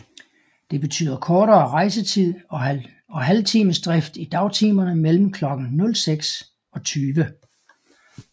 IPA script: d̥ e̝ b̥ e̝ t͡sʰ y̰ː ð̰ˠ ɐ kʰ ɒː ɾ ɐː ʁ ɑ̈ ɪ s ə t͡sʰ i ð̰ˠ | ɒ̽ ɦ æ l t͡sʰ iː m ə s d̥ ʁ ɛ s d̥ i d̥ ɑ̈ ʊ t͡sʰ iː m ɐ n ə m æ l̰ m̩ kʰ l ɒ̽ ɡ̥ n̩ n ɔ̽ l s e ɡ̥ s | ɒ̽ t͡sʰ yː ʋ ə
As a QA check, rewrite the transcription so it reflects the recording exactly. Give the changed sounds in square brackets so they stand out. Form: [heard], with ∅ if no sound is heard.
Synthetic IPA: d̥ e̝ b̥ e̝ t͡sʰ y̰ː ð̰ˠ ɐ kʰ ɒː ɾ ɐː ʁ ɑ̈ ɪ s ə t͡sʰ i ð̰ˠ | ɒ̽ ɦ æ l t͡sʰ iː m ə s d̥ ʁ ɛ [f] d̥ i d̥ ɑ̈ ʊ t͡sʰ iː m ɐ n ə m [e] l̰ m̩ kʰ l ɒ̽ ɡ̥ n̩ n ɔ̽ l s e ɡ̥ s | ɒ̽ t͡sʰ yː ʋ ə

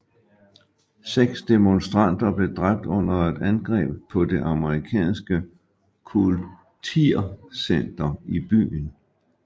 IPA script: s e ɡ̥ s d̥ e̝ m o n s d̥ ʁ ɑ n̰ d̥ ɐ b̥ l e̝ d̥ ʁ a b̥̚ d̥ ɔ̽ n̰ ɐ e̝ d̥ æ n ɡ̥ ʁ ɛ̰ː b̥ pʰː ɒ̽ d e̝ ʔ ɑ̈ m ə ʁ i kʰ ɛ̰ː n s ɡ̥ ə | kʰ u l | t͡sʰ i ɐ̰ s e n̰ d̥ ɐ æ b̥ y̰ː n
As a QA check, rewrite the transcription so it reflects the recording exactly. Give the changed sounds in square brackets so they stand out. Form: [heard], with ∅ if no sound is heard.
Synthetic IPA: s e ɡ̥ s d̥ e̝ m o n s d̥ ʁ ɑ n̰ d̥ ɐ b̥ l e̝ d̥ ʁ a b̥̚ d̥ ɔ̽ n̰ ɐ e̝ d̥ æ n ɡ̥ ʁ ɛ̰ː b̥ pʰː ɒ̽ d e̝ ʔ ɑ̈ m ə ʁ i kʰ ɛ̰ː n s ɡ̥ ə | kʰ u l | t͡sʰ i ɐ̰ s e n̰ d̥ ɐ [i] b̥ y̰ː n

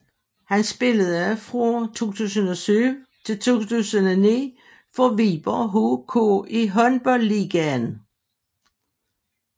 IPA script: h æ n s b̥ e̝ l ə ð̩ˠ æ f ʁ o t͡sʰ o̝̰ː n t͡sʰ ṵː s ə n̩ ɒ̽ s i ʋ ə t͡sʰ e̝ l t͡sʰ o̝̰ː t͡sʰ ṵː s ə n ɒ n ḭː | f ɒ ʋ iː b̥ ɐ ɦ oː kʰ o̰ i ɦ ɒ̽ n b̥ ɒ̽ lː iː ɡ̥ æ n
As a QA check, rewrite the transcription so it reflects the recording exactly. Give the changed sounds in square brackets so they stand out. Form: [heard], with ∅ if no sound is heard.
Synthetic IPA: h æ n s b̥ e̝ l ə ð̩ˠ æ f ʁ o t͡sʰ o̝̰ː [∅] t͡sʰ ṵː s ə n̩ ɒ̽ s [y] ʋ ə t͡sʰ e̝ l t͡sʰ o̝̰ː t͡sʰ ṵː s ə n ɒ n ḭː | f ɒ ʋ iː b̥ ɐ ɦ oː kʰ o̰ i ɦ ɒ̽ n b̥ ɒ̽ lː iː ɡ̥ æ n

